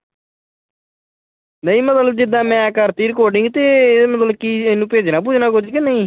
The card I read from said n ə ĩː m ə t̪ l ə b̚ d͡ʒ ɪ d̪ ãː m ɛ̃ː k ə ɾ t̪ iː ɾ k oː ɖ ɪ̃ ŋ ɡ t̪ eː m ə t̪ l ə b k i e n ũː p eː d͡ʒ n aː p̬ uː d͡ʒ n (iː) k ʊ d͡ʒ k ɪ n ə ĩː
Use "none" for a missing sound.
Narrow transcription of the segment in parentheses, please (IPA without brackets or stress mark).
aː